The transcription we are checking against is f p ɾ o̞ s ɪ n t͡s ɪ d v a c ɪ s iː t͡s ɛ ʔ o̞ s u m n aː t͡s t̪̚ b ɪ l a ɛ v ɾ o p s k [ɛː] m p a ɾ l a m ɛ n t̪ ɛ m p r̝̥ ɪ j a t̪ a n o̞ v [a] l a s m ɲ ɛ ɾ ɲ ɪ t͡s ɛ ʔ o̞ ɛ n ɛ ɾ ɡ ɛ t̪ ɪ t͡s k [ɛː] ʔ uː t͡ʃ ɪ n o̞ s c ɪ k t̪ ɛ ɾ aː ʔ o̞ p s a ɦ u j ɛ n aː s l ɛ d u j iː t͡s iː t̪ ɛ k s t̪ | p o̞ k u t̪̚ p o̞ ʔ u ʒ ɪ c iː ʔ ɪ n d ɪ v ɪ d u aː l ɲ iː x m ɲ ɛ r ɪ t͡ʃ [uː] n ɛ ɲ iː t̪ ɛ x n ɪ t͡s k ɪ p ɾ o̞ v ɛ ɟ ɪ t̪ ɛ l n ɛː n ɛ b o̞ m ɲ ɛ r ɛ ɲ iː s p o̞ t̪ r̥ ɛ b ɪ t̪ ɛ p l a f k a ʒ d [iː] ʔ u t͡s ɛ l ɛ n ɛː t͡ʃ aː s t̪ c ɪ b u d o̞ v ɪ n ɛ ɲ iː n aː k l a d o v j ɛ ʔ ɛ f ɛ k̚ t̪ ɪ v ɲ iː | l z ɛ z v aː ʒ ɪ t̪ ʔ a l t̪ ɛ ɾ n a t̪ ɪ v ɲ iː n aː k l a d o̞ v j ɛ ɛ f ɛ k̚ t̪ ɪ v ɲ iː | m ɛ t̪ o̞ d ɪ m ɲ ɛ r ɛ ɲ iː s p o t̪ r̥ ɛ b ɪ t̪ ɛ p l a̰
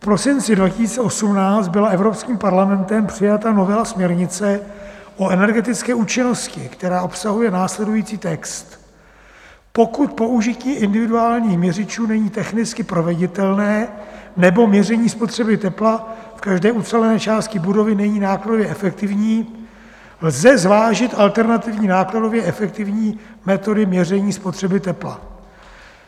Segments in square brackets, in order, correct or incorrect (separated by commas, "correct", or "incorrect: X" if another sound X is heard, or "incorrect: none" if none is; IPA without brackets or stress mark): incorrect: iː, incorrect: ɛ, correct, correct, incorrect: ɛː